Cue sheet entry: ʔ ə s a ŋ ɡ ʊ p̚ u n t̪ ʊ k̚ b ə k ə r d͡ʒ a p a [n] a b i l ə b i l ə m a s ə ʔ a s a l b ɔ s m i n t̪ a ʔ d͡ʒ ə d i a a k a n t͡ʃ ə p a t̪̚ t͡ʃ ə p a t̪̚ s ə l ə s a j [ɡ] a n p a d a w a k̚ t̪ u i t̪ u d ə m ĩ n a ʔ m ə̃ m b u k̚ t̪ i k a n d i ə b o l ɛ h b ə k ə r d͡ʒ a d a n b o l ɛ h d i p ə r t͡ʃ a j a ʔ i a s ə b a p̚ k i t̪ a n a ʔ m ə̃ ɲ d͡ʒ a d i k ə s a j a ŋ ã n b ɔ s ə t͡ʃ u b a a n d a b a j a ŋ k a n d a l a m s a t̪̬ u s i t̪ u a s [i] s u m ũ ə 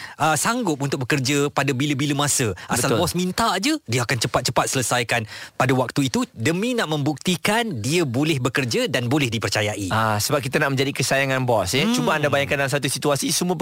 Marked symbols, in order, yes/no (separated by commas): no, no, yes